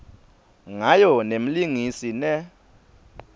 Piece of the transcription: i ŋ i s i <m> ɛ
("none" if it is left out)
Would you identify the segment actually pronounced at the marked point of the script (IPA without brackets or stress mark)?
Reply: n